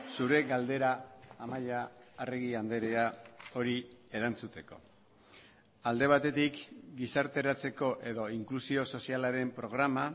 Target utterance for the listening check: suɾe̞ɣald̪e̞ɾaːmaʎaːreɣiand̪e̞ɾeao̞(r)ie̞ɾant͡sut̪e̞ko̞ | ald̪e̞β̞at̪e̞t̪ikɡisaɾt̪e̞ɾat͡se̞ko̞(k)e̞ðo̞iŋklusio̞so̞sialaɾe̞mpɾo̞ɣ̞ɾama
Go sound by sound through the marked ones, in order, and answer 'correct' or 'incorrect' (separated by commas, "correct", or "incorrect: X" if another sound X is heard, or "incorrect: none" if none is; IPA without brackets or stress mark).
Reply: incorrect: ɾ, incorrect: ʔ